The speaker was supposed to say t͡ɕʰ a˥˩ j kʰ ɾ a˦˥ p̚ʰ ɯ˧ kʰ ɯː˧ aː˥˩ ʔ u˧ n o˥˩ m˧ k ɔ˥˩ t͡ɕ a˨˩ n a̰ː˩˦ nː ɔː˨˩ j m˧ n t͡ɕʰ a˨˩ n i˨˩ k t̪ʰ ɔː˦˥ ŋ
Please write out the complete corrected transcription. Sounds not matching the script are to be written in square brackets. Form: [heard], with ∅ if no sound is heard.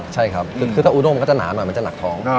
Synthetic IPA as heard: t͡ɕʰ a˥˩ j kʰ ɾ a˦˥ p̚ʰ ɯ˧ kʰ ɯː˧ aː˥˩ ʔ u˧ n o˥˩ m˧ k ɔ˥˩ t͡ɕ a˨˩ n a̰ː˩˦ [n] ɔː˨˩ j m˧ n [t͡ɕ] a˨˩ n [a˨˩] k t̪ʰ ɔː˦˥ ŋ